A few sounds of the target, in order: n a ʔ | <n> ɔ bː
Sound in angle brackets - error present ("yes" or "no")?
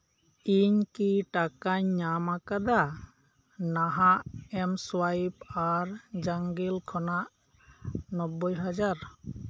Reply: no